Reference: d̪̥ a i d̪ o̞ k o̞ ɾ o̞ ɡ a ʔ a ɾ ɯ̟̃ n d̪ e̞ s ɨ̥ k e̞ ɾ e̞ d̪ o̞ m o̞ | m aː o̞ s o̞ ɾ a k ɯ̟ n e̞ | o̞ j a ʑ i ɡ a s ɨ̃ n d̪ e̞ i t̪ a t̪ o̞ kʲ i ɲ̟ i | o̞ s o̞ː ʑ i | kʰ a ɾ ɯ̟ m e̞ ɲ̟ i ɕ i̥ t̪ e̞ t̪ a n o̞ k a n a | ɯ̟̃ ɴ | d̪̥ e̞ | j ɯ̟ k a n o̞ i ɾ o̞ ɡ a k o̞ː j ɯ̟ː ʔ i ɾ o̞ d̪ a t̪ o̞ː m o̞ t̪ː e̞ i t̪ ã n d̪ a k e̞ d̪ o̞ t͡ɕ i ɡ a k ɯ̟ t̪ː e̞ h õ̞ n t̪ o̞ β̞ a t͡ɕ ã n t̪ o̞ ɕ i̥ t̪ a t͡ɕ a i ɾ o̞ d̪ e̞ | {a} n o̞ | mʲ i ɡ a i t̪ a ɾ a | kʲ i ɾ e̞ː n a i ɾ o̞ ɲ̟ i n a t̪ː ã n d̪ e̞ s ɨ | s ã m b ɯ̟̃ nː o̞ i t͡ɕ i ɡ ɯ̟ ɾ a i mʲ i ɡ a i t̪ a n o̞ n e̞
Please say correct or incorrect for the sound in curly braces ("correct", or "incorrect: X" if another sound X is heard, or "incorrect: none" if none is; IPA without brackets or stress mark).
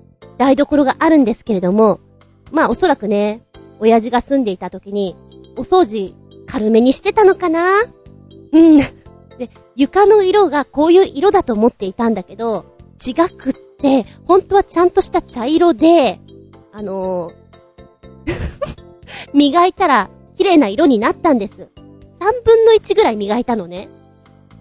correct